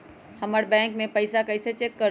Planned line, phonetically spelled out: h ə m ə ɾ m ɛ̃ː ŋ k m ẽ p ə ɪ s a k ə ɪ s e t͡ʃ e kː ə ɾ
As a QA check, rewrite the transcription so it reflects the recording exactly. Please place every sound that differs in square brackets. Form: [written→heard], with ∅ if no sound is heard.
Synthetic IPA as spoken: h ə m ə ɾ [m→b] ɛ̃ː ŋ k m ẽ p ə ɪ s a k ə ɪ s e t͡ʃ e kː ə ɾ